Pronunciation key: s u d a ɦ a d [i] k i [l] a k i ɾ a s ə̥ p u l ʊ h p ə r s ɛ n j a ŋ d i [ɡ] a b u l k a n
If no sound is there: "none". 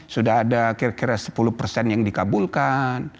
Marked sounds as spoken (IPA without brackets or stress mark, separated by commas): a, ɾ, k